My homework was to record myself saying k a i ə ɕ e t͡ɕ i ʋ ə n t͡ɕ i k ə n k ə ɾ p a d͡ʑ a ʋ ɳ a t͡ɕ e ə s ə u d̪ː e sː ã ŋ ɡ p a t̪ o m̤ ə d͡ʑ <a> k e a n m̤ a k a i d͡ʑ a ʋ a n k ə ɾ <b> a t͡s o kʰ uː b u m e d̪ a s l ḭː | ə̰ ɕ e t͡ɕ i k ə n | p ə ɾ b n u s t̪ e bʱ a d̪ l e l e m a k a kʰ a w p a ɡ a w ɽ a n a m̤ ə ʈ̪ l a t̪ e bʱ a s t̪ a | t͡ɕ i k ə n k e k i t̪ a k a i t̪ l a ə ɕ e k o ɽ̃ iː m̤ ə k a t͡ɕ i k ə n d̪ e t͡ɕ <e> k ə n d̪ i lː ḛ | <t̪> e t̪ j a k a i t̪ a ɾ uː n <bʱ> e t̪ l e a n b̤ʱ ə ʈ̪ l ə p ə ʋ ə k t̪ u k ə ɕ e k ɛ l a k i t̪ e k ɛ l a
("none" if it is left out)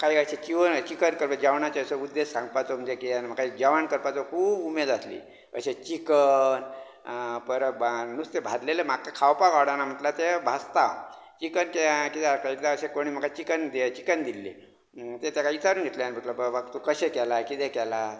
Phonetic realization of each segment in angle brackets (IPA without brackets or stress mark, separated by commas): e, p, i, t̪, ɡʱ